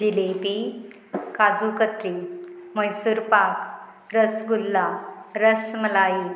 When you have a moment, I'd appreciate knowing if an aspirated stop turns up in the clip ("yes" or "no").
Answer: no